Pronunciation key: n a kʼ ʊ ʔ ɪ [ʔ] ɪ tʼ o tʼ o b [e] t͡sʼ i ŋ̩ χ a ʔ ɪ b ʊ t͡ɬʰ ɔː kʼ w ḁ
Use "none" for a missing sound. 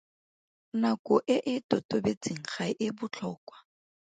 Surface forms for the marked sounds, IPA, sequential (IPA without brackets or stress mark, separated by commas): ʔ, e